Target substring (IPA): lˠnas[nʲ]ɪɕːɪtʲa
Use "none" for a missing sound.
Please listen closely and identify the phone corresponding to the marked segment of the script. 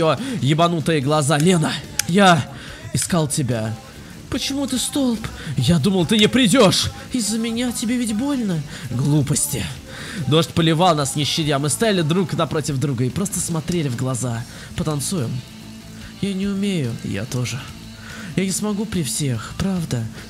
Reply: nʲ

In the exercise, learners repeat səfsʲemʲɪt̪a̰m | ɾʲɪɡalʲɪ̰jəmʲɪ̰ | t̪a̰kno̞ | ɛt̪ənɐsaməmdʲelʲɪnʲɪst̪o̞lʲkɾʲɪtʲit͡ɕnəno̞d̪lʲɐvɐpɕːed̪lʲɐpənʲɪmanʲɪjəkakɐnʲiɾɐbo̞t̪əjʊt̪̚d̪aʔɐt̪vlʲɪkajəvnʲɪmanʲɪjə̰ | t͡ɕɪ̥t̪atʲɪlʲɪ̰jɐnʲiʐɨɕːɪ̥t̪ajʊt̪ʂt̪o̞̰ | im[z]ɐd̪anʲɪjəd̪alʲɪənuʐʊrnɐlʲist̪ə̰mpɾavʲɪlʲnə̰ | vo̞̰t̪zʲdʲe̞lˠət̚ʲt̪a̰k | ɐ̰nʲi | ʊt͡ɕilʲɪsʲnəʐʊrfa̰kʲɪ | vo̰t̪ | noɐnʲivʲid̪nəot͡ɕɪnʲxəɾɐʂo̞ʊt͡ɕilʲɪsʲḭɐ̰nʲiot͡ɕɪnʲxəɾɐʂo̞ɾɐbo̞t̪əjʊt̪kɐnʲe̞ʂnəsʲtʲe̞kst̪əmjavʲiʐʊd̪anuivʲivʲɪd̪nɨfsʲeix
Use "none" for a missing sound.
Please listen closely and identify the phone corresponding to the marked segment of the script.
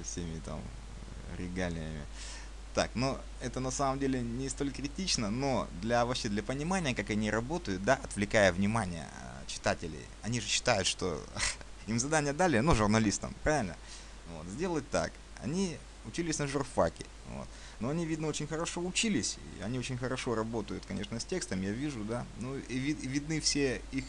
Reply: z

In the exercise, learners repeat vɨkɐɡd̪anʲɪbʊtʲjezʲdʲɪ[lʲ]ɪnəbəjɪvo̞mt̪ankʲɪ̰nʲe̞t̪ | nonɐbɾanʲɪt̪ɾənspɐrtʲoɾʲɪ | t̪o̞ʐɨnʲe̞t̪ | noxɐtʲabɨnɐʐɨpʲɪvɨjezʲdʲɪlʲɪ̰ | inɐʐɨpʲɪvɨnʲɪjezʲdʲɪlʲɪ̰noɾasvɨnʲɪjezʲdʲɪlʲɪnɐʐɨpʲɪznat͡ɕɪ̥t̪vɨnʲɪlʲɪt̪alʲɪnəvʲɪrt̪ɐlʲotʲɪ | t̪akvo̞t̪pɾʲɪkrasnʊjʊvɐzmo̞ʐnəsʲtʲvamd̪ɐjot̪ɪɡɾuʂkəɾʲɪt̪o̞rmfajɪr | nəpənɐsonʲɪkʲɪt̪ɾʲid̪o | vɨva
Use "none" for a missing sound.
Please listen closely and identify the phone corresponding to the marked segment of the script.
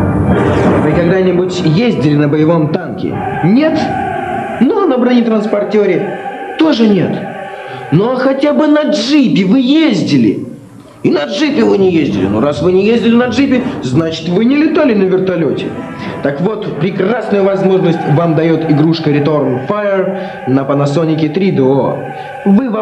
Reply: lʲ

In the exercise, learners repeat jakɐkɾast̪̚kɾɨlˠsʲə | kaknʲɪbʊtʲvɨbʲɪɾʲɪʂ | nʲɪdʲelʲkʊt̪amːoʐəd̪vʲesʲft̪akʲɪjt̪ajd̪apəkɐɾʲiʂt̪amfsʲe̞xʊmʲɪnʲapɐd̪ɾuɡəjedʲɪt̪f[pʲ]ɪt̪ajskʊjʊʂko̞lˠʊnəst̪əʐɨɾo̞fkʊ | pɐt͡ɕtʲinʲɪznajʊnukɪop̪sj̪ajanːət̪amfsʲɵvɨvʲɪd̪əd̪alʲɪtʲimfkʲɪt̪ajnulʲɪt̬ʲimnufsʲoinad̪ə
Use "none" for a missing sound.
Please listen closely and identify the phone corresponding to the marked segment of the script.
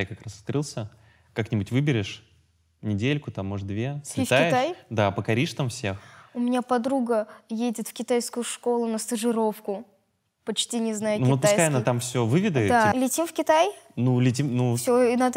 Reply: kʲ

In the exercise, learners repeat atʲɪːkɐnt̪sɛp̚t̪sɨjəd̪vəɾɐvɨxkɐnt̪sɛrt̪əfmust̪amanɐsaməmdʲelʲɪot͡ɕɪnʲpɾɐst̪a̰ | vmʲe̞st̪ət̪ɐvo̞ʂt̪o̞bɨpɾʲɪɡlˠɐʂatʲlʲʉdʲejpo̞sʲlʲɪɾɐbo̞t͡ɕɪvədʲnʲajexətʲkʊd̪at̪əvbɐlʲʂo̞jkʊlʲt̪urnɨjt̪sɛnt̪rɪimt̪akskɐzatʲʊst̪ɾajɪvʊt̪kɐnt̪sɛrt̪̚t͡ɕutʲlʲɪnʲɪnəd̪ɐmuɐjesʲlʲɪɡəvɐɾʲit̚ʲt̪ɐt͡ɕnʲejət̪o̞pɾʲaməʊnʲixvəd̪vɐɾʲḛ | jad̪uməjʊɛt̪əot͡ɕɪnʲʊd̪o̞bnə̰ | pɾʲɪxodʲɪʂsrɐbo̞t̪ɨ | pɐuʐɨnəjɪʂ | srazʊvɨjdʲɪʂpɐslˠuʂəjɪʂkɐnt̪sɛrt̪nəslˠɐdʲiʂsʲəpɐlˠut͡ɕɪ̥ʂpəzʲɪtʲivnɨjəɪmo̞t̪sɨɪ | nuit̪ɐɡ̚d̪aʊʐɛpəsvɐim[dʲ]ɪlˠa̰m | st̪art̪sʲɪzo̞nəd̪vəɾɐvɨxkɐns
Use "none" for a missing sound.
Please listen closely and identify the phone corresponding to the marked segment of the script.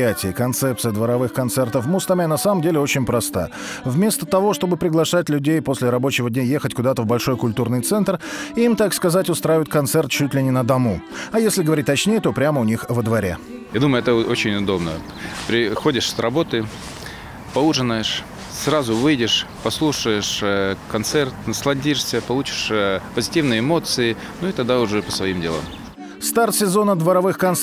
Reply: dʲ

